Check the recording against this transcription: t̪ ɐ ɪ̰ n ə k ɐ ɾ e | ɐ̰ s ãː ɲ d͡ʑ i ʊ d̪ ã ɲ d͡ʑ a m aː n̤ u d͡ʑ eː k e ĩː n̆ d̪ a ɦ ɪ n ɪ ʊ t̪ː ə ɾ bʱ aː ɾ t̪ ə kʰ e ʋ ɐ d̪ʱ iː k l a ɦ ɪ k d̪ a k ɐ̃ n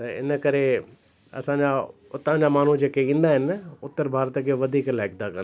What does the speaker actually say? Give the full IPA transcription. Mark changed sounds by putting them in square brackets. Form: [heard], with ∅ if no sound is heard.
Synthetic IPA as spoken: t̪ ɐ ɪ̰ n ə k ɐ ɾ e | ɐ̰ s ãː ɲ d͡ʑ [a] ʊ [t̪] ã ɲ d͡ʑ a m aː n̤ u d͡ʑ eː k e ĩː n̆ d̪ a ɦ ɪ n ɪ ʊ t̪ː ə ɾ bʱ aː ɾ t̪ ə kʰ e ʋ ɐ d̪ʱ iː k l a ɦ ɪ k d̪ a k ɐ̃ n

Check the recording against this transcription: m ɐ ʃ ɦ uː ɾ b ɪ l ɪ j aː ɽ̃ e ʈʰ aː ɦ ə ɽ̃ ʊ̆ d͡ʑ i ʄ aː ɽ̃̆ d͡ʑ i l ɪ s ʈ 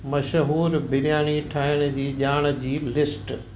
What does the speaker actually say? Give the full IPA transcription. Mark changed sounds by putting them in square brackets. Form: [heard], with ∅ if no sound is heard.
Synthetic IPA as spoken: m ɐ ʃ ɦ uː ɾ b ɪ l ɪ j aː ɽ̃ [i] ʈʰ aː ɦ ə ɽ̃ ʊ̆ d͡ʑ [iː] ʄ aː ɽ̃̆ d͡ʑ [iː] l ɪ s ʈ

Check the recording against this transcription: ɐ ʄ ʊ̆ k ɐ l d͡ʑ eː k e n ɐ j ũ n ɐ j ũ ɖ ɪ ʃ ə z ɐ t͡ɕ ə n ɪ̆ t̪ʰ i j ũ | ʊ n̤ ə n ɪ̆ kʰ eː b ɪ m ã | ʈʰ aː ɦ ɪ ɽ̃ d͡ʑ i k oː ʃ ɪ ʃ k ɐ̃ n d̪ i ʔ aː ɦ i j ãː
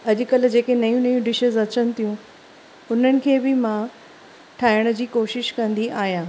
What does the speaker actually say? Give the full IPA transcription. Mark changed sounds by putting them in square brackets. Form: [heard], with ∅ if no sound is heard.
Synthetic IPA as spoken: ɐ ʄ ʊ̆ k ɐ l d͡ʑ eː k e n ɐ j ũ n ɐ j ũ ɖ ɪ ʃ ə z ɐ t͡ɕ ə n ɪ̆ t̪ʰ i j ũ | ʊ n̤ ə n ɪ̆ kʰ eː b ɪ m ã | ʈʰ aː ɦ ɪ ɽ̃ d͡ʑ [iː] k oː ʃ ɪ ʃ k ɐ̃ n d̪ i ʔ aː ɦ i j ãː

